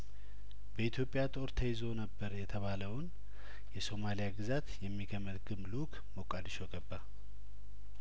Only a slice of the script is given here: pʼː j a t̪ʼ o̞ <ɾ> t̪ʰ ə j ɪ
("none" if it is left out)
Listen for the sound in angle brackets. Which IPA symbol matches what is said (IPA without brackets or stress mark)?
ɾ